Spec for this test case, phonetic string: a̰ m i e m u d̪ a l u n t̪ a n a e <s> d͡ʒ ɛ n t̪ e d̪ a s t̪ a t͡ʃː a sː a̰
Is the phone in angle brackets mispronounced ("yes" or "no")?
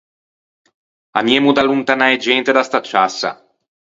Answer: yes